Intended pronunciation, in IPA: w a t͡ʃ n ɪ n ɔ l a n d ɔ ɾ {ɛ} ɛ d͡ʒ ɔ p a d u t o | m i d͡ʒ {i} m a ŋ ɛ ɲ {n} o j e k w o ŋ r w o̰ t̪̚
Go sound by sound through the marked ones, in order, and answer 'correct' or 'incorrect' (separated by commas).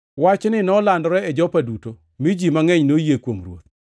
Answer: correct, correct, correct